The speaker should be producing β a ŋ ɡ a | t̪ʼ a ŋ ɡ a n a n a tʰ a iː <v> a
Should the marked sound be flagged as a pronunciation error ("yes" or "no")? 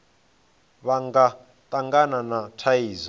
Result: yes